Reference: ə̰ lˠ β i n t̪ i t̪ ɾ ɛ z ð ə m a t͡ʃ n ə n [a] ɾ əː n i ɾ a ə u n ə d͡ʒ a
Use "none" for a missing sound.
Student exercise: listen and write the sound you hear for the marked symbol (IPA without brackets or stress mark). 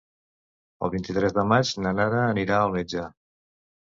a